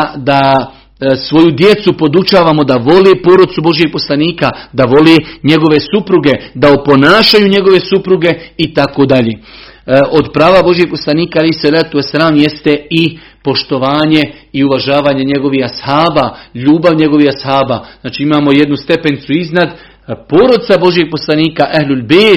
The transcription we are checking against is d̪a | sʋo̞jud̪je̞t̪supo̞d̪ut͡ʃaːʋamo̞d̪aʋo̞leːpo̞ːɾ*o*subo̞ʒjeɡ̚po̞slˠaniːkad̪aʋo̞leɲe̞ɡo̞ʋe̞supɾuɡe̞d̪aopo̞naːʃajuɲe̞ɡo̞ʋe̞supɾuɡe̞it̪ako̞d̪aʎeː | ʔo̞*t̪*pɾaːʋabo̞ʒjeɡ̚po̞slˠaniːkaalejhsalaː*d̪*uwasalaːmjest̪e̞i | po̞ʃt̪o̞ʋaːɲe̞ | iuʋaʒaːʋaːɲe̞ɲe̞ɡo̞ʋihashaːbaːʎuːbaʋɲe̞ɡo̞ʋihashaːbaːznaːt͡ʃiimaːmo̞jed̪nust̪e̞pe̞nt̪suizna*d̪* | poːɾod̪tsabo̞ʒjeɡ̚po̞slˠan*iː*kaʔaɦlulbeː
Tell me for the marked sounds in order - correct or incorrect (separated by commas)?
correct, incorrect, incorrect, correct, correct